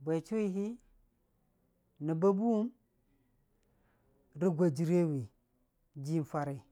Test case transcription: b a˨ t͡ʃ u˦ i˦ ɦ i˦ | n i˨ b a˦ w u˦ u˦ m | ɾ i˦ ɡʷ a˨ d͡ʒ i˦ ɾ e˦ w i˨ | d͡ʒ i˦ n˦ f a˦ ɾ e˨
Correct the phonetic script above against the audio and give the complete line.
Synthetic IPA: b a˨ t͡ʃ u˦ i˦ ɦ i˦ | n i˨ b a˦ b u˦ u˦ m | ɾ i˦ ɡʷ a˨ d͡ʒ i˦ ɾ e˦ w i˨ | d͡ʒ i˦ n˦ f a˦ ɾ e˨